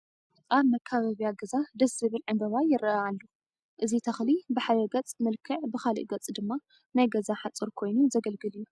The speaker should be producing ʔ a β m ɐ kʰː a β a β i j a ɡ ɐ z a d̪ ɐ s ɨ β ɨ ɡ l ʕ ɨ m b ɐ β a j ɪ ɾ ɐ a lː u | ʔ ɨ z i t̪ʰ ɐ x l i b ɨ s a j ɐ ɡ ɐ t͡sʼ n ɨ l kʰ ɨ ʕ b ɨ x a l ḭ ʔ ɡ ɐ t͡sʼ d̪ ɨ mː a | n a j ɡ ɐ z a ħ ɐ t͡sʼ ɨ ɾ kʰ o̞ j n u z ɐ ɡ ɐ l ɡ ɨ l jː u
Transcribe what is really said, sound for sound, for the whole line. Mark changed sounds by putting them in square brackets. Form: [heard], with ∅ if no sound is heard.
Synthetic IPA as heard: ʔ a β m ɐ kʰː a β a β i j a ɡ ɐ z a d̪ ɐ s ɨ β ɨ [∅] l ʕ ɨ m b ɐ β a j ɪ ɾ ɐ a lː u | ʔ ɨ z i t̪ʰ ɐ x l i b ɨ [ħ] a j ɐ ɡ ɐ t͡sʼ [m] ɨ l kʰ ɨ ʕ b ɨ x a l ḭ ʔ ɡ ɐ t͡sʼ d̪ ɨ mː a | n a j ɡ ɐ z a ħ [a] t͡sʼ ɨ ɾ kʰ o̞ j n u z ɐ ɡ ɐ l ɡ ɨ l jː u